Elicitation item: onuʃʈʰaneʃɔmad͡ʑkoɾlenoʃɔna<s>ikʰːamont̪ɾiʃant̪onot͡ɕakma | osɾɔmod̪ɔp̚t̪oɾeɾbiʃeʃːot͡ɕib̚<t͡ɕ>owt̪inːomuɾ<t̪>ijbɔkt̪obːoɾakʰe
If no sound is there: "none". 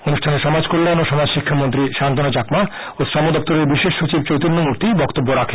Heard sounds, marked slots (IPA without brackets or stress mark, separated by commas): ʃ, t͡ɕ, t̪